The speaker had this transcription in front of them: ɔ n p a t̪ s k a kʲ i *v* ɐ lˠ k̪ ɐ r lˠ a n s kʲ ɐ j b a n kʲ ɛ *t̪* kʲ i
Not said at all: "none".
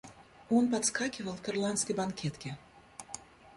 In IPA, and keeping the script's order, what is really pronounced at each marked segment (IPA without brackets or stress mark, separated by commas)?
v, t̪